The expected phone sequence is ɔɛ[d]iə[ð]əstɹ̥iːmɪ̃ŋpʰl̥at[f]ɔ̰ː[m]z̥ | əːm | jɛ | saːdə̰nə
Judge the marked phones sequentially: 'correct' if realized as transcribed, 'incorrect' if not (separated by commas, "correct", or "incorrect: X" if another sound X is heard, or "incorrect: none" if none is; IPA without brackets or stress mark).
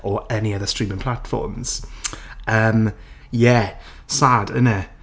incorrect: n, correct, correct, correct